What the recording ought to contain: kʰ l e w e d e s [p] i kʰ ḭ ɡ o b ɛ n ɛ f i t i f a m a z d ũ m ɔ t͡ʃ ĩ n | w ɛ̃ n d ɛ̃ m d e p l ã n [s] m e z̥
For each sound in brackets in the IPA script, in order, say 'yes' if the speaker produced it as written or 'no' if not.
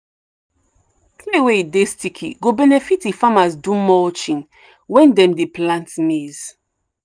no, no

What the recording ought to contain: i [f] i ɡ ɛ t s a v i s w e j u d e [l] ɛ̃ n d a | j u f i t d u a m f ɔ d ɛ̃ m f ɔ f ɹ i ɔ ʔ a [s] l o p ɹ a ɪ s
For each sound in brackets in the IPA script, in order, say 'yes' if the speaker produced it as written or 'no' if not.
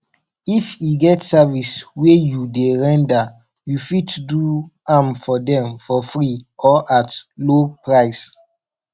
yes, no, no

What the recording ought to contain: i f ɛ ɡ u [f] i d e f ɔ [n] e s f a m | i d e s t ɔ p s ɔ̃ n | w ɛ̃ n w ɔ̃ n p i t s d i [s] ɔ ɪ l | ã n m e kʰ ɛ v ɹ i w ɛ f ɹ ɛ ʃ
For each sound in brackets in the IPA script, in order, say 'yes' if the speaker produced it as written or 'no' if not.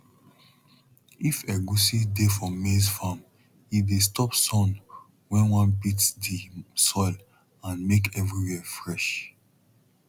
no, no, yes

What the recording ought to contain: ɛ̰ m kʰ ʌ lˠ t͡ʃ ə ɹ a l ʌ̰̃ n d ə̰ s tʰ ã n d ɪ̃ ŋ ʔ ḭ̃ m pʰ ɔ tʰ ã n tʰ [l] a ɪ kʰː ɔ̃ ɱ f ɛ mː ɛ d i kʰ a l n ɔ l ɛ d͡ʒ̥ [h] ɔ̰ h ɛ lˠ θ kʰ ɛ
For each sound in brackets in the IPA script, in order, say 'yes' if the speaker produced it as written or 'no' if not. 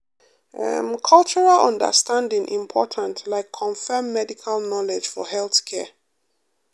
yes, no

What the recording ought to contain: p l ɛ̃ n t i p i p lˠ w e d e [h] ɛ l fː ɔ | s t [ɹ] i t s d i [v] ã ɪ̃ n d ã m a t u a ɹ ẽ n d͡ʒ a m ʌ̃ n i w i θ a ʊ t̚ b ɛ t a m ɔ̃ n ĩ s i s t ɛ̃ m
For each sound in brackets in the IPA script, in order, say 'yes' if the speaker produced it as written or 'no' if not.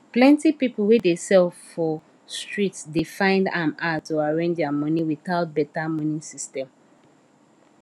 no, yes, no

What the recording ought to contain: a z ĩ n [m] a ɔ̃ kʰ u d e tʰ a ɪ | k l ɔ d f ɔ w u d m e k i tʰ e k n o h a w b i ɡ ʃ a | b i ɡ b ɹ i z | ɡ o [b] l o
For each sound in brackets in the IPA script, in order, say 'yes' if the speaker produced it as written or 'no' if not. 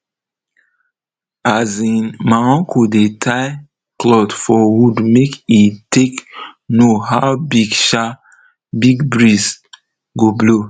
yes, yes

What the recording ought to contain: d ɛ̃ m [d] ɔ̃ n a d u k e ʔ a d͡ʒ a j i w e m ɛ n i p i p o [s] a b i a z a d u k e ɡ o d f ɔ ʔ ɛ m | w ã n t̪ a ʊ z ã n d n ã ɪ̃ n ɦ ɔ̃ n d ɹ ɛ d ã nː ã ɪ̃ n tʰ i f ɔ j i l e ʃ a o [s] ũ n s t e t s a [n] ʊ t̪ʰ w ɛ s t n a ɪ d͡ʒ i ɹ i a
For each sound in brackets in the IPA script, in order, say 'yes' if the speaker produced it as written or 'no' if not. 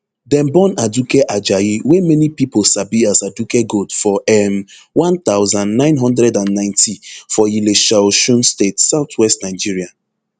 no, yes, no, no

